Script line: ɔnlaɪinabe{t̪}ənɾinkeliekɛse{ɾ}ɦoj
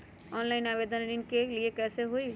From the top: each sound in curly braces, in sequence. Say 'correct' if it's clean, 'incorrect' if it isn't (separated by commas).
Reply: incorrect, incorrect